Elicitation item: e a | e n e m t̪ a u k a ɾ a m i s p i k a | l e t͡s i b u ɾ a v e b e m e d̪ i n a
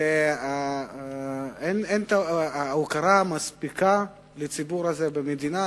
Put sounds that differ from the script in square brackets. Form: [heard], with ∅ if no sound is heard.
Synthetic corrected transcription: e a | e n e [n] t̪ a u k a ɾ a m [a] s p i k a | l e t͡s i b u ɾ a [z] e b e m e d̪ i n a